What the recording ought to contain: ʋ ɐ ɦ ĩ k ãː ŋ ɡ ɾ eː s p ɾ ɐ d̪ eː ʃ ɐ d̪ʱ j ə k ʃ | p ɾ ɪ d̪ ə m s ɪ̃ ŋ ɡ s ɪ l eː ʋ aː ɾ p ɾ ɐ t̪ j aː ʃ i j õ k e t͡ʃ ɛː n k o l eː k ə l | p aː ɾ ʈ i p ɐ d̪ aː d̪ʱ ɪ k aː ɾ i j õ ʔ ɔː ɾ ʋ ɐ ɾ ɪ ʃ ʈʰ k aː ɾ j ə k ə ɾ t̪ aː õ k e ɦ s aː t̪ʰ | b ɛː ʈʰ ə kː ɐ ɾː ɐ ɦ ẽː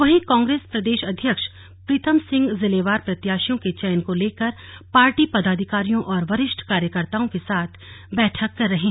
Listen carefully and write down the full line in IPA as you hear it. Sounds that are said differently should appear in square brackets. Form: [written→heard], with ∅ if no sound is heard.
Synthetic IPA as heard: ʋ ɐ ɦ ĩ k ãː ŋ ɡ ɾ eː s p ɾ ɐ d̪ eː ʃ ɐ d̪ʱ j ə k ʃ | p ɾ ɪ [d̪→t̪] ə m s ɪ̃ ŋ ɡ [s→z] ɪ l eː ʋ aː ɾ p ɾ ɐ t̪ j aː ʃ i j õ k e t͡ʃ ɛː n k o l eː k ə [l→ɾ] | p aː ɾ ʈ i p ɐ d̪ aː d̪ʱ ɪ k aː ɾ i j õ ʔ ɔː ɾ ʋ ɐ ɾ ɪ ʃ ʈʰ k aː ɾ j ə k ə ɾ t̪ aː õ k e [ɦ→∅] s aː t̪ʰ | b ɛː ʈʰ ə kː ɐ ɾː ɐ ɦ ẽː